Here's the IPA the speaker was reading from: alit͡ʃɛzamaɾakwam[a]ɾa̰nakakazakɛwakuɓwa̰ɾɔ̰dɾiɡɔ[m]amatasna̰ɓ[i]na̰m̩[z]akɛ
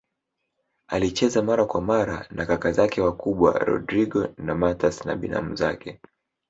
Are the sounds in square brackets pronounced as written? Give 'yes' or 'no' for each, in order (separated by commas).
yes, no, yes, yes